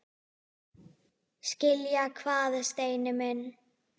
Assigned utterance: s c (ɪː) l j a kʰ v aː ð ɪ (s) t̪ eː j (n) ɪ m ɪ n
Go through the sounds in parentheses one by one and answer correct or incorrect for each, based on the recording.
incorrect, correct, correct

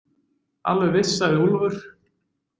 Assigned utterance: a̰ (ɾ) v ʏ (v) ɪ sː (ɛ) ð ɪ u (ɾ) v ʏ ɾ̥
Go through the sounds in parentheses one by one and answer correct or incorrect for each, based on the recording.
incorrect, correct, incorrect, incorrect

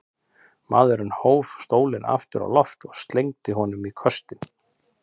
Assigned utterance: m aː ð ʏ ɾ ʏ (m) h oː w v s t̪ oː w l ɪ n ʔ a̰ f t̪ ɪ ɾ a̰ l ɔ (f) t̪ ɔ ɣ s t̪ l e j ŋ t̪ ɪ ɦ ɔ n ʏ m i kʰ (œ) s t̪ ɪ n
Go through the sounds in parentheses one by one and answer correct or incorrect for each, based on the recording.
incorrect, correct, correct

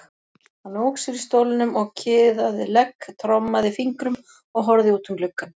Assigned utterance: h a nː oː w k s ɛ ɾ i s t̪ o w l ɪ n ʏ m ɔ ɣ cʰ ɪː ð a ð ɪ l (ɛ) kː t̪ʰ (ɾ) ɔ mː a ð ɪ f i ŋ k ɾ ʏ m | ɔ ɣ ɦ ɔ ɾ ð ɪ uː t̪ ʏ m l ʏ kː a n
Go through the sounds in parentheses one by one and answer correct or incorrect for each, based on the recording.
correct, correct

